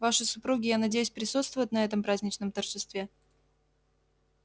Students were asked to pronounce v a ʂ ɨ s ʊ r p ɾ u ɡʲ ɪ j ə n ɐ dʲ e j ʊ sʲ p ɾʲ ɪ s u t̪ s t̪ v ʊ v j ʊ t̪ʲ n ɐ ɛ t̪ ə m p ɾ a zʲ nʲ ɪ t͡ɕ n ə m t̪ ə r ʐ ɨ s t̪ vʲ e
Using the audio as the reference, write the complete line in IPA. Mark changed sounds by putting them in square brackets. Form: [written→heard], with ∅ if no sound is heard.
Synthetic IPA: v a ʂ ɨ s ʊ [r→∅] p ɾ u ɡʲ ɪ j [ə→a] n ɐ dʲ e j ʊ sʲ p ɾʲ ɪ s u t̪ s t̪ v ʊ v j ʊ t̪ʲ n ɐ ɛ t̪ ə m p ɾ a zʲ nʲ ɪ t͡ɕ n ə m t̪ ə r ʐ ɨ s t̪ vʲ e